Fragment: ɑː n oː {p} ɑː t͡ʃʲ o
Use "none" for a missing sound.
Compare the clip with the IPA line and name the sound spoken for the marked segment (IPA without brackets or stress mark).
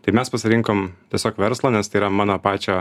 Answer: p